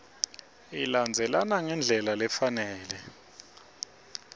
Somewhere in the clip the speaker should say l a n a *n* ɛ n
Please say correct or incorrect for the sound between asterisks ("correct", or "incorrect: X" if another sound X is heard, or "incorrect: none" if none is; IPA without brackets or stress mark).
incorrect: ŋ